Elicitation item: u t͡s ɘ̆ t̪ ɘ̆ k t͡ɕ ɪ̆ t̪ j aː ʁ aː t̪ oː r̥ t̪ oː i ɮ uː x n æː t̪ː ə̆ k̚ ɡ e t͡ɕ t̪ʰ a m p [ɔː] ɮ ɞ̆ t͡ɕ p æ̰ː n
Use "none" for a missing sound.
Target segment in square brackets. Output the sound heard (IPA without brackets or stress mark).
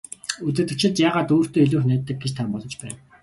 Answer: ɔ